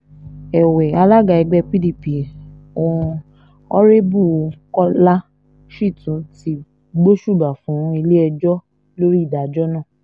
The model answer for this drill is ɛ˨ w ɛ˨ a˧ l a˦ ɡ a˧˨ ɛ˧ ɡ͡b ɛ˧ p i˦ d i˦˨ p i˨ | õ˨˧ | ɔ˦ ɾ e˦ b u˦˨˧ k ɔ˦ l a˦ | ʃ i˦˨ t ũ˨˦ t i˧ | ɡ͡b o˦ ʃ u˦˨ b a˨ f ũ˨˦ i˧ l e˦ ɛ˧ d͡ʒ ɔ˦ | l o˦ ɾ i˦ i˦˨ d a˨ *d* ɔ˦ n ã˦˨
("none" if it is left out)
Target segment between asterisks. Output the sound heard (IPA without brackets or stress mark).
d͡ʒ